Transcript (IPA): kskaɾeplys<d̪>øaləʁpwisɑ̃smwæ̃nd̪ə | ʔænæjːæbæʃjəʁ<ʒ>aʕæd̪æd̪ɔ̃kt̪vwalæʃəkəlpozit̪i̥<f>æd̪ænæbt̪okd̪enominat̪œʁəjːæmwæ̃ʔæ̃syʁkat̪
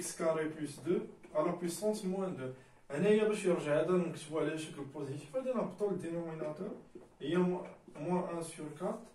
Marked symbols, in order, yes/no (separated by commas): yes, yes, yes